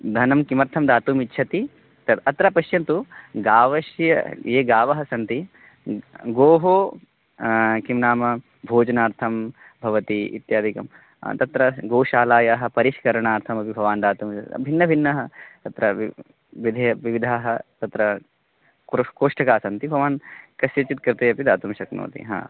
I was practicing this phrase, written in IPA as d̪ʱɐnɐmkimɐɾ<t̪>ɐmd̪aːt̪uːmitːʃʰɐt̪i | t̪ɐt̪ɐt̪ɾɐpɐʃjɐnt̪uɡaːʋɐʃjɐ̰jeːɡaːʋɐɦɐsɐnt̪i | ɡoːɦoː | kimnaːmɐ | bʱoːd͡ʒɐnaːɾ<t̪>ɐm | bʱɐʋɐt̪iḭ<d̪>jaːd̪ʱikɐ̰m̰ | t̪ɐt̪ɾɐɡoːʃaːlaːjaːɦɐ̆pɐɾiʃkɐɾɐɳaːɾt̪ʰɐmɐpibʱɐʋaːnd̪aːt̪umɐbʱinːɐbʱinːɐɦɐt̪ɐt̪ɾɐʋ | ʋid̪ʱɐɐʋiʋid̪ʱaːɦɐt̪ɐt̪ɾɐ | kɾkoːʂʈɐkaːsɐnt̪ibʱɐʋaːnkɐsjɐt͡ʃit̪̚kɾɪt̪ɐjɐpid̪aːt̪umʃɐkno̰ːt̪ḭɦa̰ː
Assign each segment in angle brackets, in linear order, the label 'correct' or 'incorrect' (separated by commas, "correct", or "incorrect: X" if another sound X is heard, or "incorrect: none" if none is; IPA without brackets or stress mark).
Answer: incorrect: t̪ʰ, incorrect: t̪ʰ, incorrect: t̪